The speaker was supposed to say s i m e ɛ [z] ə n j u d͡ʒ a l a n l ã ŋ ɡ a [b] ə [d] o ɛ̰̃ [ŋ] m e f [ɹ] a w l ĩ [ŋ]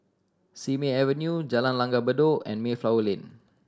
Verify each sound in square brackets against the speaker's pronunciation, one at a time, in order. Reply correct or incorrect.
incorrect: v, correct, correct, incorrect: n, incorrect: l, incorrect: n

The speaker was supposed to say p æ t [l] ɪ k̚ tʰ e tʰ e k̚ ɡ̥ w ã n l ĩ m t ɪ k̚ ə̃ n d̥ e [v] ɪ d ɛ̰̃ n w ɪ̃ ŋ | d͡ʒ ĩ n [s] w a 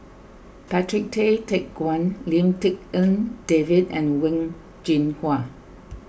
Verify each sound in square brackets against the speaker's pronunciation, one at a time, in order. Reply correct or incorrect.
incorrect: ɹ, correct, incorrect: h

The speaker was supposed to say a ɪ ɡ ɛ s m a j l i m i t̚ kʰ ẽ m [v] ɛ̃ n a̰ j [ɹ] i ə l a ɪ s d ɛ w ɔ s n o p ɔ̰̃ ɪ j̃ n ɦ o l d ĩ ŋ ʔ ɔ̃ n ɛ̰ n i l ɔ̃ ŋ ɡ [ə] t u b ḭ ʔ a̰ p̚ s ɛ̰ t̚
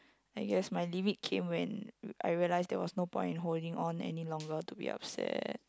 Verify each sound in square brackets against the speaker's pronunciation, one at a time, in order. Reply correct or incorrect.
incorrect: w, correct, correct

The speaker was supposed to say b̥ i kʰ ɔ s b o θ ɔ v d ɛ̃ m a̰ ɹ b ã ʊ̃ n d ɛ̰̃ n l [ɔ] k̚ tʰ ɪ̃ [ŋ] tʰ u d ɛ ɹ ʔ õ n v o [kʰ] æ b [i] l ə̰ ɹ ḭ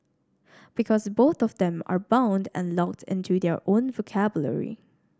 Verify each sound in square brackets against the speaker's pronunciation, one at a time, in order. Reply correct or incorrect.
correct, incorrect: n, correct, incorrect: j

